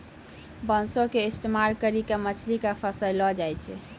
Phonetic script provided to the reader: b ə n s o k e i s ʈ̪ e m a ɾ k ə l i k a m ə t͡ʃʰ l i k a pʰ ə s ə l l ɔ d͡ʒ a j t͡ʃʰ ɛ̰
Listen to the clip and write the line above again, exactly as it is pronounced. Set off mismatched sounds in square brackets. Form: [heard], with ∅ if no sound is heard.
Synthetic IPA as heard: b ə n s o k e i s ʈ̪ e m a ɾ k ə [ɾ] i k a m ə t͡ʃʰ l i k a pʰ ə s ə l l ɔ d͡ʒ a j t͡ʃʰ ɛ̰